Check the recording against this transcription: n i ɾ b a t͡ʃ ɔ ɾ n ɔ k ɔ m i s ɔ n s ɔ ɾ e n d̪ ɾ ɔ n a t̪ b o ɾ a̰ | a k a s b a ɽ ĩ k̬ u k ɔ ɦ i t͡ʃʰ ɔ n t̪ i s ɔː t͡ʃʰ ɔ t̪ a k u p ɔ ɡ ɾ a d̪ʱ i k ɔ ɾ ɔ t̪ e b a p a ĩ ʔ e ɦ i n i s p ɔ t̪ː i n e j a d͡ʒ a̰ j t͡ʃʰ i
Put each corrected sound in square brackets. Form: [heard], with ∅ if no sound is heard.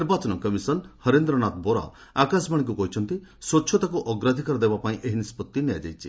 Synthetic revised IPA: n i ɾ b a t͡ʃ ɔ [∅] n ɔ k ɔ m i s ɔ n [h] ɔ ɾ e n d̪ ɾ ɔ n a t̪ b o ɾ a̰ | a k a s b a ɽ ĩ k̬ u k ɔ ɦ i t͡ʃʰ ɔ n t̪ i s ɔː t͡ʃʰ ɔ t̪ a k u [ʔ] ɔ ɡ ɾ a d̪ʱ i k ɔ ɾ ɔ [d̪] e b a p a ĩ ʔ e ɦ i n i s p ɔ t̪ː i n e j a d͡ʒ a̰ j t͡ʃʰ i

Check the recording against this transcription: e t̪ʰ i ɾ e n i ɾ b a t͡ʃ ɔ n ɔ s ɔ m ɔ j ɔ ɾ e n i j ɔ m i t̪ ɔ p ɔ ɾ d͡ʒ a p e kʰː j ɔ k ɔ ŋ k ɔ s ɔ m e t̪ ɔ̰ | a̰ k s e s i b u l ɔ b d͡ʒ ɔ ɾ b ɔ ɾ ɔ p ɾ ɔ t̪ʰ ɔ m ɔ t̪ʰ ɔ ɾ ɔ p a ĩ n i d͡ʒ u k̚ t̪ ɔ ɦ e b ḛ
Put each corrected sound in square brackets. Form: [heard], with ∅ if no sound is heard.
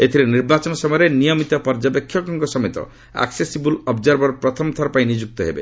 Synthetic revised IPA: e t̪ʰ i ɾ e n i ɾ b a t͡ʃ ɔ n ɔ s ɔ m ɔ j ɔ ɾ e n i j ɔ m i t̪ ɔ p ɔ ɾ d͡ʒ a p e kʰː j ɔ k ɔ ŋ k ɔ s ɔ m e t̪ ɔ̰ | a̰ k s e s i b u l ɔ b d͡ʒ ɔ ɾ b ɔ ɾ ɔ p ɾ ɔ t̪ʰ ɔ m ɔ t̪ʰ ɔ ɾ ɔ p a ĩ n i d͡ʒ u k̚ t̪ ɔ ɦ e b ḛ

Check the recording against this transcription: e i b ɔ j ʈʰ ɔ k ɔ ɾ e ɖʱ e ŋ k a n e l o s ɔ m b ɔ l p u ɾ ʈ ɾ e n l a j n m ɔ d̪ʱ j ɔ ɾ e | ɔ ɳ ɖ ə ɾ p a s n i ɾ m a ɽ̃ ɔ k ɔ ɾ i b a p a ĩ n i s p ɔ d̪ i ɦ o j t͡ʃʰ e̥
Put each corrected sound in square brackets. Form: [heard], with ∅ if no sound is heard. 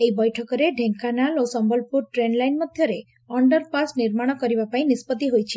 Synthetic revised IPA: e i b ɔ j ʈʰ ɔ k ɔ ɾ e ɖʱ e ŋ k a n [a] l o s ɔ m b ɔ l p u ɾ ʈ ɾ e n l a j n m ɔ d̪ʱ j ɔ ɾ e | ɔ ɳ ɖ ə ɾ p a s n i ɾ m a ɽ̃ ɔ k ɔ ɾ i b a p a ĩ n i s p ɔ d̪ i ɦ o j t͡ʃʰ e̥

